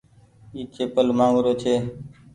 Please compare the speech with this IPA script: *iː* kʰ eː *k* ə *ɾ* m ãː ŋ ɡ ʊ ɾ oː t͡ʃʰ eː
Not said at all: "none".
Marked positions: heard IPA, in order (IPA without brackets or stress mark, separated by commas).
iː, p, l